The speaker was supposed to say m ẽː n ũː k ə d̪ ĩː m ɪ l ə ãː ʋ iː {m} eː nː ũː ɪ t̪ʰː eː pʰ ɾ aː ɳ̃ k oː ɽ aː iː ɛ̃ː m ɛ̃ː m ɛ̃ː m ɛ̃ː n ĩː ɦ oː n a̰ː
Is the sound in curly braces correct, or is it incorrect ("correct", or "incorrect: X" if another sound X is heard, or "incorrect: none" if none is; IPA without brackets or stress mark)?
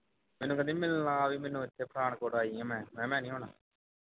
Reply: correct